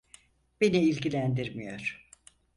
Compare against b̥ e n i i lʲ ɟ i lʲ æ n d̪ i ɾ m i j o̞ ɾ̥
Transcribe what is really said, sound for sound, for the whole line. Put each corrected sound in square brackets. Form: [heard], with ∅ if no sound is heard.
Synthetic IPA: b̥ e n i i lʲ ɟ i lʲ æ n d̪ i ɾ m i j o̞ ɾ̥

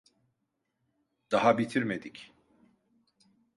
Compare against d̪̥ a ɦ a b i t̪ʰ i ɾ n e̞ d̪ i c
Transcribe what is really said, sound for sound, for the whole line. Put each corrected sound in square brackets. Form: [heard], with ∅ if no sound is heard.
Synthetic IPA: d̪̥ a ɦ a b i t̪ʰ i ɾ [m] e̞ d̪ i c

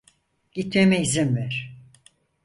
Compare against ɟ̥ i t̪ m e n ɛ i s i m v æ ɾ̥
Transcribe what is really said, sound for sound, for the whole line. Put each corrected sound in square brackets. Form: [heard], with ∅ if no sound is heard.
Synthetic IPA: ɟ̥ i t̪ m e [m] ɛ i [z] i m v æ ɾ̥

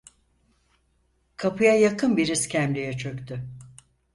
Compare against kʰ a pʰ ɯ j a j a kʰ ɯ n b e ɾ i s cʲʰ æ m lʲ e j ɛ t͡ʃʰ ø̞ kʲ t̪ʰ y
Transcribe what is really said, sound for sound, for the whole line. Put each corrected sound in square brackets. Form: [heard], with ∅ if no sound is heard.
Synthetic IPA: kʰ a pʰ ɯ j a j a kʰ ɯ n b [i] ɾ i s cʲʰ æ m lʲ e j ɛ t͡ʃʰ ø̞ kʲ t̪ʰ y

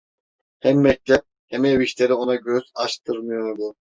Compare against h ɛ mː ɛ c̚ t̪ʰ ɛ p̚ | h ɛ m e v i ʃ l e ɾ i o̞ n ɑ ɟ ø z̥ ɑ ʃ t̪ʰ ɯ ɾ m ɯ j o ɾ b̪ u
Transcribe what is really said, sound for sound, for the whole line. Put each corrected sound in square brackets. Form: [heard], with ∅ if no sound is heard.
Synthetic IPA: h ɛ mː ɛ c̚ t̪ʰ ɛ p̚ | h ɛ m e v i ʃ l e ɾ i o̞ n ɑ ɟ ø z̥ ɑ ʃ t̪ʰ ɯ ɾ m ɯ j o ɾ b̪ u

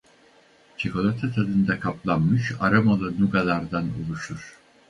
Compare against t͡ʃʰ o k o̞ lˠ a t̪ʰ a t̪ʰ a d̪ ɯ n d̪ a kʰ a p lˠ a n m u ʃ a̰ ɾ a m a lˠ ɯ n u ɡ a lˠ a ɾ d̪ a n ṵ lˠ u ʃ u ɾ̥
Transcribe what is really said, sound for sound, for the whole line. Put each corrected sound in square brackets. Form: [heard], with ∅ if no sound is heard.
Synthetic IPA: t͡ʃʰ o k o̞ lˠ a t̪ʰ a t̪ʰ a d̪ ɯ n d̪ a kʰ a p lˠ a n m [ɯ] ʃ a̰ ɾ a m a lˠ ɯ n u ɡ a lˠ a ɾ d̪ a n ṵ lˠ u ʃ u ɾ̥

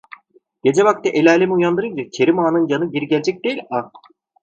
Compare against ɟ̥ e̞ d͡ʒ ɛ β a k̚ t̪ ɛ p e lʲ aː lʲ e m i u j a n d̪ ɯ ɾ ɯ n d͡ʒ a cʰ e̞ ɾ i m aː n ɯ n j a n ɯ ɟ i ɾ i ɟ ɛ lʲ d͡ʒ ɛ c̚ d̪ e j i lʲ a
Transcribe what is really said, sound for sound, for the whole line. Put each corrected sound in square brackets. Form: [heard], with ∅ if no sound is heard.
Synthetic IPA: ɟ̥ e̞ d͡ʒ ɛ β a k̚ t̪ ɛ [ʔ] e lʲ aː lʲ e m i u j a n d̪ ɯ ɾ ɯ n d͡ʒ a cʰ e̞ ɾ i m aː n ɯ n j a n ɯ ɟ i ɾ i ɟ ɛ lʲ d͡ʒ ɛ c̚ d̪ e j i lʲ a

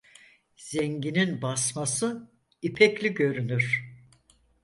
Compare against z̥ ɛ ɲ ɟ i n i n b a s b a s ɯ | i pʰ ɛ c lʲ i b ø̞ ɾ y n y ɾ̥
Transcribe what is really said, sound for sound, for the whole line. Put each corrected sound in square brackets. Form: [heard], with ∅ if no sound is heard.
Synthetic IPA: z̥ ɛ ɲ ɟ i n i n b a s [m] a s ɯ | i pʰ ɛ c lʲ i [ɟ] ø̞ ɾ y n y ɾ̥

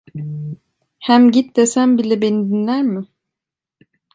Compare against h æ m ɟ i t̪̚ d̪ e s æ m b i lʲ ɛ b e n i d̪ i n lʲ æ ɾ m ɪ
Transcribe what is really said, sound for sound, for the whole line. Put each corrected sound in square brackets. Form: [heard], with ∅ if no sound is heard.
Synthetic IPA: h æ m ɟ i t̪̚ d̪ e s æ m b i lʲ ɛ b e n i d̪ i n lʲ æ ɾ m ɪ

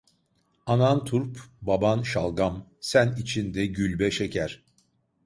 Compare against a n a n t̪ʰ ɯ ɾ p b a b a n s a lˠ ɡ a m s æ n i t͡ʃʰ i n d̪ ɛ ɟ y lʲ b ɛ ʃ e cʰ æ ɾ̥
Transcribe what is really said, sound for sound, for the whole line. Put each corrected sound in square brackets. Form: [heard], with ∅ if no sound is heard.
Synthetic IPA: a n a n t̪ʰ [u] ɾ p b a b a n [ʃ] a lˠ ɡ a m s æ n i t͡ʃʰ i n d̪ ɛ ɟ y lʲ b ɛ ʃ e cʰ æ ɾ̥

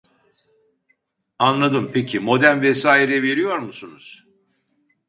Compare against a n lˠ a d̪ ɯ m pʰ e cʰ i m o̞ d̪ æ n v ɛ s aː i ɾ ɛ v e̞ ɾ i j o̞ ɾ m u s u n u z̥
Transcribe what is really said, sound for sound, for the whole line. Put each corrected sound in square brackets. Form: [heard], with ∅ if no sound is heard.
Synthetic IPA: a n lˠ a d̪ ɯ m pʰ e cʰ i m o̞ d̪ æ n v ɛ s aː i ɾ ɛ v e̞ ɾ i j o̞ ɾ m u s u n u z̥

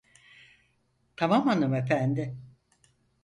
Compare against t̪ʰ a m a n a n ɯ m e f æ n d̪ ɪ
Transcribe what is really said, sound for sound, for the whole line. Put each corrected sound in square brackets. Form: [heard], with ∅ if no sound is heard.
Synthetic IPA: t̪ʰ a m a [m] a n ɯ m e f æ n d̪ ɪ

